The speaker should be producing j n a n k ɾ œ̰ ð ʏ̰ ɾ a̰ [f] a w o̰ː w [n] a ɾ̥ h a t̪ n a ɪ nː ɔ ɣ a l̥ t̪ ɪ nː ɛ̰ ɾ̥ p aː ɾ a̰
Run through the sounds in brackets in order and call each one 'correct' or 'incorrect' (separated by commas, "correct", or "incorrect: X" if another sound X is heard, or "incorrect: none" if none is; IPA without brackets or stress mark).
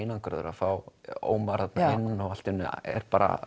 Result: correct, incorrect: m